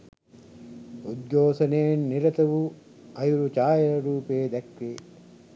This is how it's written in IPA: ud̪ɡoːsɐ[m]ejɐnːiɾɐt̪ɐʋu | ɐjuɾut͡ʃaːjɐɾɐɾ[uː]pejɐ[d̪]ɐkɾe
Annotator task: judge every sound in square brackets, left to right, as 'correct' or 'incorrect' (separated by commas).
incorrect, correct, correct